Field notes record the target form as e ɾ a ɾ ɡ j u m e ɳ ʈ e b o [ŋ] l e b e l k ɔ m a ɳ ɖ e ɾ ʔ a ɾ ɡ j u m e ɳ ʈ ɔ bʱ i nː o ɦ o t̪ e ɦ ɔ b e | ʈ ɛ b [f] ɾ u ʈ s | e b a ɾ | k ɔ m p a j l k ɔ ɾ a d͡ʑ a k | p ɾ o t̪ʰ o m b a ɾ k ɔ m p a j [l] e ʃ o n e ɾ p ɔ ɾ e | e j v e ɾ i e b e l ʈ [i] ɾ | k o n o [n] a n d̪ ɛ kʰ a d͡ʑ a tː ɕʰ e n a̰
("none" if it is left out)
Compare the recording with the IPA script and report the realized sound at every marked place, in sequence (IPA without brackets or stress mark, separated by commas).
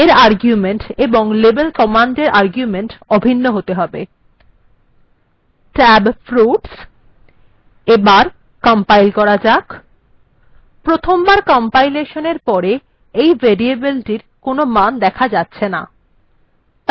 ŋ, f, l, i, m